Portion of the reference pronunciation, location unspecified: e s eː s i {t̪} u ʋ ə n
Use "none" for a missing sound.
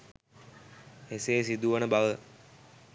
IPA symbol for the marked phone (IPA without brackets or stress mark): d̪